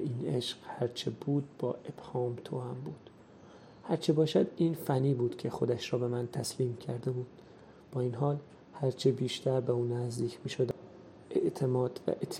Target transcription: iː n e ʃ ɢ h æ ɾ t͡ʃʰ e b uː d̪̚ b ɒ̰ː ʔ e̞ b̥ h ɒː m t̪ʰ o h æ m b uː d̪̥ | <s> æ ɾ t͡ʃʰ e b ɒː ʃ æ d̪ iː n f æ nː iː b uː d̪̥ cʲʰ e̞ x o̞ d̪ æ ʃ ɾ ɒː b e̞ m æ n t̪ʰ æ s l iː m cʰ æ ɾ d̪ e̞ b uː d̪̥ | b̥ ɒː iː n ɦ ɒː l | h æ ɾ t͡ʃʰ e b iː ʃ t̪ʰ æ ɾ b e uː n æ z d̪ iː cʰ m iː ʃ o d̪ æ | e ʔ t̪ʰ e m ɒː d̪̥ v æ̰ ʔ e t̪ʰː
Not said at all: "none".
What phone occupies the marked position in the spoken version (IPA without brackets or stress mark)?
h